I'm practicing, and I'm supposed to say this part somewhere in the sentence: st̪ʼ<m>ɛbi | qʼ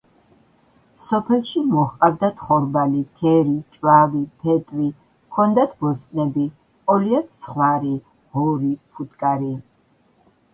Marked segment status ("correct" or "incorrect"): incorrect